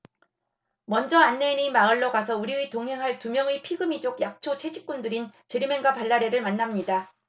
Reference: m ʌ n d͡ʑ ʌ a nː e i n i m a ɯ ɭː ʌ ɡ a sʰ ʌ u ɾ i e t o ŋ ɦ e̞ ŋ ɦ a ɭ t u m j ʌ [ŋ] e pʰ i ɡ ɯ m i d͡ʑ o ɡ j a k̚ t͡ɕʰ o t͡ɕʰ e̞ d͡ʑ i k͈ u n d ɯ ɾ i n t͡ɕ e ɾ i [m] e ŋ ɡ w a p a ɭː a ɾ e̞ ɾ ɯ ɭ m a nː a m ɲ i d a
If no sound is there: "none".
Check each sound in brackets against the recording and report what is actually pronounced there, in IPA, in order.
ŋ, m

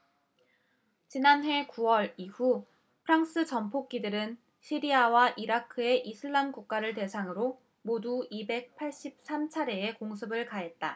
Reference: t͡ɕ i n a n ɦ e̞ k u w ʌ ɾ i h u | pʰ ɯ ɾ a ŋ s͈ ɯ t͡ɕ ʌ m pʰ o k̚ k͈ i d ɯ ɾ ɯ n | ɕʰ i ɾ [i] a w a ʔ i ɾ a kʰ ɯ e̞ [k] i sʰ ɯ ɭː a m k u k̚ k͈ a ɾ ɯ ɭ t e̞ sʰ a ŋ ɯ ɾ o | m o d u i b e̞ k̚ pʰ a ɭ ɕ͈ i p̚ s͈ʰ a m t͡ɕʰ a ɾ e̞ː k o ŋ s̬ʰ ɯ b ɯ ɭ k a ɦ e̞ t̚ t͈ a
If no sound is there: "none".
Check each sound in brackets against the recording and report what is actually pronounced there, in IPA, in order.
i, ʔ

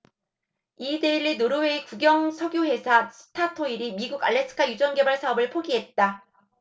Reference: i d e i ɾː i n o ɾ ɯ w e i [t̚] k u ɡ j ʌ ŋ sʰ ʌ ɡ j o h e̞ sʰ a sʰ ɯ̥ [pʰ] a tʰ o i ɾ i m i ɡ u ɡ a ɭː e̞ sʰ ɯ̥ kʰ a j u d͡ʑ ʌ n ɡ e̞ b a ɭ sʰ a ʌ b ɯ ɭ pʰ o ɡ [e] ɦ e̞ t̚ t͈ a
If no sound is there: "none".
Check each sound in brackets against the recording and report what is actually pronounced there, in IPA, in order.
none, tʰ, i

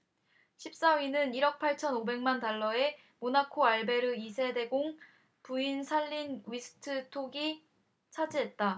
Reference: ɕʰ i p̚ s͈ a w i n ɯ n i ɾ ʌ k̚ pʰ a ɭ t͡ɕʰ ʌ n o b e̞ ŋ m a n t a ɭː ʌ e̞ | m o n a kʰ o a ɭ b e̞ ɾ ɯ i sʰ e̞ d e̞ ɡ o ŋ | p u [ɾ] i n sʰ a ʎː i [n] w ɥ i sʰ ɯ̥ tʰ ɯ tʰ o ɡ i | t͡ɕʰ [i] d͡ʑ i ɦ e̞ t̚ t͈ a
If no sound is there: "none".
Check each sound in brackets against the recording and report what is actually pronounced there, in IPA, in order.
none, n, a

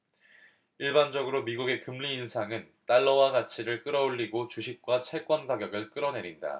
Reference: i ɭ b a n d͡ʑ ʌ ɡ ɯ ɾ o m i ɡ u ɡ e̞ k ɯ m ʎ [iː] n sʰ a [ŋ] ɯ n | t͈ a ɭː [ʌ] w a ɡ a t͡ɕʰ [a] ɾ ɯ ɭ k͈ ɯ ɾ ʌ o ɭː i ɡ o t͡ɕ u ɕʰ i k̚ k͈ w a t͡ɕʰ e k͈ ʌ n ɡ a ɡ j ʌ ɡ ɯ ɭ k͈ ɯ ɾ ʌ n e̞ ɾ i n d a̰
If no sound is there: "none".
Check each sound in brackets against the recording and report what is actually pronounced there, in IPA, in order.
iː, ŋ, ʌ, i

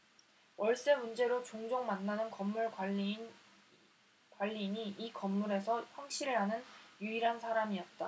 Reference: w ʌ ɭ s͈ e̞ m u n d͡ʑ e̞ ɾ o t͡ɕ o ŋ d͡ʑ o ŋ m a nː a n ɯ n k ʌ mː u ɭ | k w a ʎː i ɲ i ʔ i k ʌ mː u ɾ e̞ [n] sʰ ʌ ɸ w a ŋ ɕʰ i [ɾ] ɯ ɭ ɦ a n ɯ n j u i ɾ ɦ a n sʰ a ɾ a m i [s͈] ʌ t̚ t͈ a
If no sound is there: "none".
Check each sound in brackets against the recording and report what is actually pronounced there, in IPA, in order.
none, ɾ, none

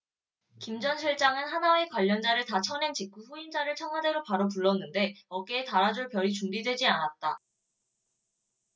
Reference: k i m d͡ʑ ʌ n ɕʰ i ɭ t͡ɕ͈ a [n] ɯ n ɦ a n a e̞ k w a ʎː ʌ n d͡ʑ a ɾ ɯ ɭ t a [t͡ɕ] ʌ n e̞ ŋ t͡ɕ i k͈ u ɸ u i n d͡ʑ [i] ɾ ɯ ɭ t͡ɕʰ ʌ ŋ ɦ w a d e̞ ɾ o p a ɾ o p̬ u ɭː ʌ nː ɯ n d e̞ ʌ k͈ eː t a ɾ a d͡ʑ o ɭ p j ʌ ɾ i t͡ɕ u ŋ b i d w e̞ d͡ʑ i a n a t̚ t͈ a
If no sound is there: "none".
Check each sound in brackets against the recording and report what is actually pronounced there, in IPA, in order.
ŋ, t͡ɕʰ, a

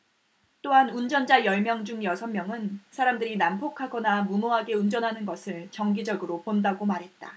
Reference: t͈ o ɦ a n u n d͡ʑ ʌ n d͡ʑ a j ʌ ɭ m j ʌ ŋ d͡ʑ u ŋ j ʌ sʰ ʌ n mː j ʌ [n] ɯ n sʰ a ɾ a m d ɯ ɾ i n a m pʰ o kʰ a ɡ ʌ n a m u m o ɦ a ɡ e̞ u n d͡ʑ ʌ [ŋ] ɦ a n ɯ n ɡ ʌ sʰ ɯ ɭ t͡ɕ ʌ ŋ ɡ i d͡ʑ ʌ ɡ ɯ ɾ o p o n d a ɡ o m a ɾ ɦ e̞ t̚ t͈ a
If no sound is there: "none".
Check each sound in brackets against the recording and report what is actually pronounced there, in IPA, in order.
ŋ, n

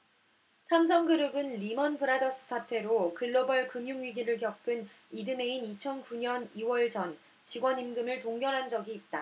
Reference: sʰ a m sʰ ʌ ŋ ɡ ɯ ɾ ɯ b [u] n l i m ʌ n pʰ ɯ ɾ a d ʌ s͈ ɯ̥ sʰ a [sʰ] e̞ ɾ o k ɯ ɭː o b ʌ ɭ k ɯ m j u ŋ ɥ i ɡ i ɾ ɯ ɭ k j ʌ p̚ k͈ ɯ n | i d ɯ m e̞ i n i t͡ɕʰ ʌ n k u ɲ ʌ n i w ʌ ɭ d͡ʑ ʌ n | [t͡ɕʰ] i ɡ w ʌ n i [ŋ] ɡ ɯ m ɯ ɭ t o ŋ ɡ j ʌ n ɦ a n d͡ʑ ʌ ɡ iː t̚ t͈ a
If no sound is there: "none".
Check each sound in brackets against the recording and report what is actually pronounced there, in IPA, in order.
ɯ, tʰ, t͡ɕ, m

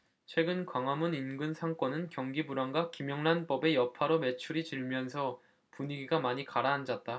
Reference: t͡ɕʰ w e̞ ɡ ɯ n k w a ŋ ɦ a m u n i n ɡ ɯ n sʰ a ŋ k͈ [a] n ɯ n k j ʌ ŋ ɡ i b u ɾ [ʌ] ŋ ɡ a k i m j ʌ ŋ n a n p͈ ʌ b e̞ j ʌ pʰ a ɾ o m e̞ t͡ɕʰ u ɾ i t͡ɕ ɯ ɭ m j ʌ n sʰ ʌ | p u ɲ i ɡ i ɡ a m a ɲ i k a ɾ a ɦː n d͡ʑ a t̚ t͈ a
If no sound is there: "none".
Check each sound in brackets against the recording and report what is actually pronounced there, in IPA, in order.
ʌ, a

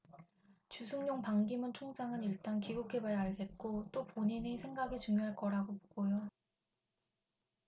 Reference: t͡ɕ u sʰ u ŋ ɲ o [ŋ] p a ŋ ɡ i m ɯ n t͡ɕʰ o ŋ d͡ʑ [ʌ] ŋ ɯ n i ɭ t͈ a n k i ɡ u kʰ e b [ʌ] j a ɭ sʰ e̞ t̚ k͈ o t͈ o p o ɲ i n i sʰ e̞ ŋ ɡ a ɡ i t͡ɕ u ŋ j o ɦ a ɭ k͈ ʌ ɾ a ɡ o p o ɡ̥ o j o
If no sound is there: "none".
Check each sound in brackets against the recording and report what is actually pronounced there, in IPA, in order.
ŋ, a, a

